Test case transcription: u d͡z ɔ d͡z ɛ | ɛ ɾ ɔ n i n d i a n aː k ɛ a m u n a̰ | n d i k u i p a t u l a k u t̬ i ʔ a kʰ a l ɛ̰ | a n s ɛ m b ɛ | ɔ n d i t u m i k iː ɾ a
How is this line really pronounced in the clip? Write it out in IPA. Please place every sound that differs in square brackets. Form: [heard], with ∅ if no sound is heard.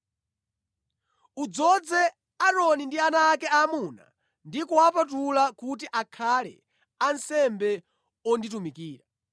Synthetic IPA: u d͡z ɔ d͡z ɛ | [a] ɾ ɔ n i n d i a n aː k ɛ a m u n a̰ | n d i k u [a] p a t u l a k u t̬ i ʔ a kʰ a l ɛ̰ | a n s ɛ m b ɛ | ɔ n d i t u m i k iː ɾ a

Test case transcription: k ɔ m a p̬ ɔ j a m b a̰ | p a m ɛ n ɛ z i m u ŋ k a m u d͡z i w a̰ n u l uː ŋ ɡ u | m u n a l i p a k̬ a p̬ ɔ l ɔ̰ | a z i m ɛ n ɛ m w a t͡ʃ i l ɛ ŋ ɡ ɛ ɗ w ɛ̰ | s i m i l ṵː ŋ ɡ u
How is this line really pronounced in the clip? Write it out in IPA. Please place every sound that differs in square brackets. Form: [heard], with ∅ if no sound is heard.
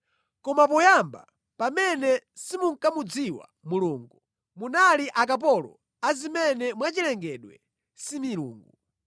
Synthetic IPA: k ɔ m a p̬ ɔ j a m b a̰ | p a m ɛ n ɛ [s] i m u ŋ k a m u d͡z i w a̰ [m] u l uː ŋ ɡ u | m u n a l i [ʔ] a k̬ a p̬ ɔ l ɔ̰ | a z i m ɛ n ɛ m w a t͡ʃ i l ɛ ŋ ɡ ɛ ɗ w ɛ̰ | s i m i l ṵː ŋ ɡ u

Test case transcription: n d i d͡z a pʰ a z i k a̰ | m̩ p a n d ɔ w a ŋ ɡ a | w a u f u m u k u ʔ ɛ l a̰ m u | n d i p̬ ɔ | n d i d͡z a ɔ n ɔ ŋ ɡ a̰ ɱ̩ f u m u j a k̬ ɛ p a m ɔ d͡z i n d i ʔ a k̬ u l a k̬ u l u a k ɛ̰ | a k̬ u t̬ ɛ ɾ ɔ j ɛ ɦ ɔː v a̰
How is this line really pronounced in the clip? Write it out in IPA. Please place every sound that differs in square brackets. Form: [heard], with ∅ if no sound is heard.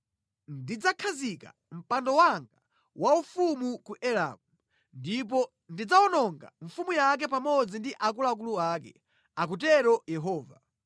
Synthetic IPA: n d i d͡z a [kʰ] a z i k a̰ | m̩ p a n d ɔ w a ŋ ɡ a | w a u f u m u k u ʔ ɛ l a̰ m u | n d i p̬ ɔ | n d i d͡z a ɔ n ɔ ŋ ɡ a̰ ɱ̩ f u m u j a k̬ ɛ p a m ɔ d͡z i n d i ʔ a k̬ u l a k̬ u l u a k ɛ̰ | a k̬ u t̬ ɛ ɾ ɔ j ɛ ɦ ɔː v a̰

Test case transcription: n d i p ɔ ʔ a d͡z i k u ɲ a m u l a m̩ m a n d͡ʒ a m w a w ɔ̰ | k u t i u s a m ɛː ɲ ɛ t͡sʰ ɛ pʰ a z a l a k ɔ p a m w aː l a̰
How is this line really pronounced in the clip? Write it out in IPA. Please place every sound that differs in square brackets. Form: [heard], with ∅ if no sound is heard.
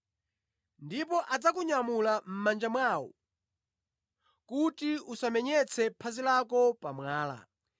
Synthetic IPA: n d i p ɔ ʔ a d͡z [a] k u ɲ a m u l a m̩ m a n d͡ʒ a m w a w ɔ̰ | k u t i u s a m [ɛ] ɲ ɛ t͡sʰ ɛ pʰ a z [i] l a k ɔ p a m w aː l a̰

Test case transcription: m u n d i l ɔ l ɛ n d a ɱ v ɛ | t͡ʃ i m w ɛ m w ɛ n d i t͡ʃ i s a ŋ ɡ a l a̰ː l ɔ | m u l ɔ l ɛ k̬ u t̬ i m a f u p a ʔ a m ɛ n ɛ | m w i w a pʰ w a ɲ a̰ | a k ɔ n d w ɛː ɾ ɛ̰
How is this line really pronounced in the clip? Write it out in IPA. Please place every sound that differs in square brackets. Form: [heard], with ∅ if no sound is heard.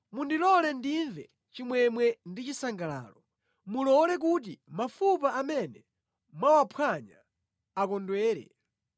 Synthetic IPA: m u n d i l ɔ l ɛ n d [i] ɱ v ɛ | t͡ʃ i m w ɛ m w ɛ n d i t͡ʃ i s a ŋ ɡ a l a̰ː l ɔ | m u l ɔ l ɛ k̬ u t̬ i m a f u p a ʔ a m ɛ n ɛ | m w [a] w a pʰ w a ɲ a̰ | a k ɔ n d w ɛː ɾ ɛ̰

